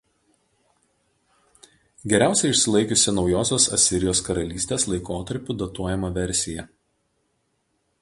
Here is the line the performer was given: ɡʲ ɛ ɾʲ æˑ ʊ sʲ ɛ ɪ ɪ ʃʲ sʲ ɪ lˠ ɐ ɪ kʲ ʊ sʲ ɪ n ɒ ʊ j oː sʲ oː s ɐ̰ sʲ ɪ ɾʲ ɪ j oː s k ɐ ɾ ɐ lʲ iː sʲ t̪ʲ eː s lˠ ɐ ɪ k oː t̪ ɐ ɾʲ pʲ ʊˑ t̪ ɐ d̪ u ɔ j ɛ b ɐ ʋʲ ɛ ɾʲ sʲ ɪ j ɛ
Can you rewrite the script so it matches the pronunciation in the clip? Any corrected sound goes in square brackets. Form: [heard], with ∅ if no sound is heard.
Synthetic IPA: ɡʲ ɛ ɾʲ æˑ ʊ sʲ ɛ ɪ ɪ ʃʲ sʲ ɪ lˠ ɐ ɪ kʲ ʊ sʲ ɪ n ɒ ʊ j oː sʲ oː s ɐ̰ sʲ ɪ ɾʲ ɪ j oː s k ɐ ɾ ɐ lʲ iː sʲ t̪ʲ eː s lˠ ɐ ɪ k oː t̪ ɐ ɾʲ pʲ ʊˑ [d̪] ɐ [t̪] u ɔ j ɛ [m] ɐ ʋʲ ɛ ɾʲ sʲ ɪ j ɛ